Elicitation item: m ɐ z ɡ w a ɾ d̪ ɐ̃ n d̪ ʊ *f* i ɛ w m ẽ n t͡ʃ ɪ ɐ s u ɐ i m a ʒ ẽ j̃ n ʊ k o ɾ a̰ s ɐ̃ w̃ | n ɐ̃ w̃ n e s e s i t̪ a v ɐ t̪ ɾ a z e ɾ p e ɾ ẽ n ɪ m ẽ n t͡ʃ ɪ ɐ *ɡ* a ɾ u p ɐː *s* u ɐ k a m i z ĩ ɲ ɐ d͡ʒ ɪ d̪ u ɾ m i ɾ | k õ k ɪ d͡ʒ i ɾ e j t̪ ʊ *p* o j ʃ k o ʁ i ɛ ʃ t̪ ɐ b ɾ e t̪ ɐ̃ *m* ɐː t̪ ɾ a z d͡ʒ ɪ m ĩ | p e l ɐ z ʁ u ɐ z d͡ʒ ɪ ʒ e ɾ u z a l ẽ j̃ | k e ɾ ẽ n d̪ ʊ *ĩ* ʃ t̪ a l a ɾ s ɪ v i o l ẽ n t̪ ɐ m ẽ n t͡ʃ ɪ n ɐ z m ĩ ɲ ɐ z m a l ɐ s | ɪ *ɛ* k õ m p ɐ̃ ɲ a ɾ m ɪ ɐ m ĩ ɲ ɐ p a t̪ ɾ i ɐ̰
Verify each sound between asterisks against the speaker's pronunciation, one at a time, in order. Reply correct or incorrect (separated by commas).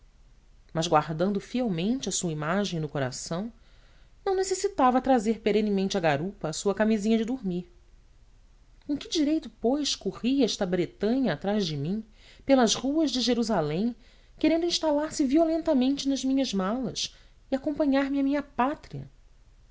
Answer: correct, correct, correct, correct, incorrect, correct, incorrect